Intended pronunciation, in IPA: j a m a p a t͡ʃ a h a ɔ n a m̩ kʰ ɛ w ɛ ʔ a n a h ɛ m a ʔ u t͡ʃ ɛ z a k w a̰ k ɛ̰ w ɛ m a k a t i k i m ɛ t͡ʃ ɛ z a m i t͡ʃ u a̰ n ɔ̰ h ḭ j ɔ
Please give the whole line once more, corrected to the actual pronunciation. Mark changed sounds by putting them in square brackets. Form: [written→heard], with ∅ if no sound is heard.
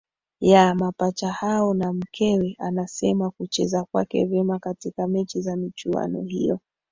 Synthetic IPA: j a m a p a t͡ʃ a h a ɔ n a m̩ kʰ ɛ w ɛ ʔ a n a [h→s] ɛ m a [ʔ→k] u t͡ʃ ɛ z a k w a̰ k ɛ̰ [w→v] ɛ m a k a t i k [i→a] m ɛ t͡ʃ [ɛ→i] z a m i t͡ʃ u a̰ n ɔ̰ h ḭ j ɔ